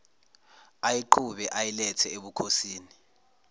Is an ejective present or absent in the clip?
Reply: absent